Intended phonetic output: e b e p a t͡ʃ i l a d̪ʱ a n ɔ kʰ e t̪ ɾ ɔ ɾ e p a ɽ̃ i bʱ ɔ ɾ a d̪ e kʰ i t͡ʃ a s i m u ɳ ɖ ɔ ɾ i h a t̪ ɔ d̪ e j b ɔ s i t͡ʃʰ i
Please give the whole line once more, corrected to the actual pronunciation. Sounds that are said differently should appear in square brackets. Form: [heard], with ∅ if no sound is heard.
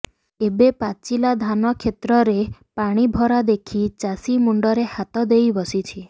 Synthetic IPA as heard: e b e p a t͡ʃ i l a d̪ʱ a n ɔ kʰ e t̪ ɾ ɔ ɾ e p a ɽ̃ i bʱ ɔ ɾ a d̪ e kʰ i t͡ʃ a s i m u ɳ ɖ ɔ ɾ [e] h a t̪ ɔ d̪ e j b ɔ s i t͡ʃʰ i

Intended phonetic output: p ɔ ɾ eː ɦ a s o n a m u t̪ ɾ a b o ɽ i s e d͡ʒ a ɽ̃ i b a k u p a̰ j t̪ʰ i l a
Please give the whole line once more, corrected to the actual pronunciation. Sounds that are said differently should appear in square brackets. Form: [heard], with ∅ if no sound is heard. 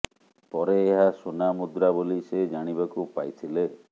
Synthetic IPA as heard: p ɔ ɾ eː ɦ a s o n a m u [d̪] ɾ a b o [l] i s e d͡ʒ a ɽ̃ i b a k u p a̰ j t̪ʰ i l [e]

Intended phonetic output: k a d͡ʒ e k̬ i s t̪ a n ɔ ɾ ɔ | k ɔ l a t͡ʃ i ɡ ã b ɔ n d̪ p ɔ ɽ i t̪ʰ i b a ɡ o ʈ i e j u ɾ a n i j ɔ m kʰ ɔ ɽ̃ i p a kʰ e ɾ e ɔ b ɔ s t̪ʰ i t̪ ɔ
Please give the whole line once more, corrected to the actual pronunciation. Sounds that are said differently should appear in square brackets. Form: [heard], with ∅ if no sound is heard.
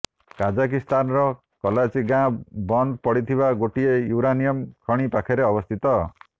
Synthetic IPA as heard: k a d͡ʒ [a] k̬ i s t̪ a n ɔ ɾ ɔ | k ɔ l a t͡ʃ i ɡ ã b ɔ n d̪ p ɔ ɽ i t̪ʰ i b a ɡ o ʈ i e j u ɾ a n i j ɔ m kʰ ɔ ɽ̃ i p a kʰ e ɾ e ɔ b ɔ s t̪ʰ i t̪ ɔ

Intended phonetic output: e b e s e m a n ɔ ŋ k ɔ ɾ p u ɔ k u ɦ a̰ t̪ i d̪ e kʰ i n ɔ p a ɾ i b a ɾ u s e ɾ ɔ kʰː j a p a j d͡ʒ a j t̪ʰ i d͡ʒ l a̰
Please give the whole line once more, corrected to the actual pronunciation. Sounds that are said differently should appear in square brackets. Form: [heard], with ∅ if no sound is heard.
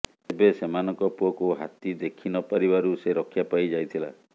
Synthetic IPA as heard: e b e s e m a n ɔ ŋ k ɔ [∅] p u ɔ k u ɦ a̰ t̪ i d̪ e kʰ i n ɔ p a ɾ i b a ɾ u s e ɾ ɔ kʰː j a p a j d͡ʒ a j t̪ʰ i [∅] l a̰

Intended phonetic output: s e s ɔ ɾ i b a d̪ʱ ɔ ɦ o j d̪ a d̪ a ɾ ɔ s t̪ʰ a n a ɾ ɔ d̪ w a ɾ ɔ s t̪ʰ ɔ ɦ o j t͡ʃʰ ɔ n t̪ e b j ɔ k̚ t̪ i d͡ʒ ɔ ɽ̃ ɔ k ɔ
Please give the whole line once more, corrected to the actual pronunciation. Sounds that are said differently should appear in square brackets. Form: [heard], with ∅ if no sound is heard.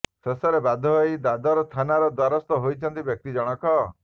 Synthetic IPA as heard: s e s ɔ ɾ [e] b a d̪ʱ ɔ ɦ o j d̪ a d̪ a ɾ ɔ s t̪ʰ a n a ɾ ɔ d̪ w a ɾ ɔ s [t̪] ɔ ɦ o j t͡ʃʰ ɔ n t̪ [i] b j ɔ k̚ t̪ i d͡ʒ ɔ ɽ̃ ɔ k ɔ

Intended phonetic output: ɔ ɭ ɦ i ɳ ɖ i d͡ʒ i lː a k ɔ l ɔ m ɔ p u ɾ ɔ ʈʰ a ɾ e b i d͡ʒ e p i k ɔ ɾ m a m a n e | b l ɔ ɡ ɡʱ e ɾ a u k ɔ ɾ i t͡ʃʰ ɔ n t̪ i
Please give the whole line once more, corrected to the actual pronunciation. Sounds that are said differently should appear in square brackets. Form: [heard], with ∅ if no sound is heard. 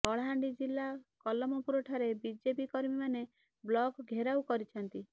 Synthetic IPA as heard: ɔ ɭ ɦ [a] ɳ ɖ i d͡ʒ i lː a k ɔ l ɔ m ɔ p u ɾ ɔ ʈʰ a ɾ e b i d͡ʒ e p i k ɔ ɾ m [i] m a n e | b l ɔ ɡ ɡʱ e ɾ a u k ɔ ɾ i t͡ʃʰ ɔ n t̪ i

